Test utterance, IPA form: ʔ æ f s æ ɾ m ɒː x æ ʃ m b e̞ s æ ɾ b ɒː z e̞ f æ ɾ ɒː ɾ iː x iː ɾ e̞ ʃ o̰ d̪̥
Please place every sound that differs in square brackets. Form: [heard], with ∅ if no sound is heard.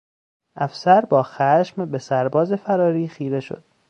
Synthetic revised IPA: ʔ æ f s æ ɾ [b] ɒː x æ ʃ m b e̞ s æ ɾ b ɒː z e̞ f æ ɾ ɒː ɾ iː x iː ɾ e̞ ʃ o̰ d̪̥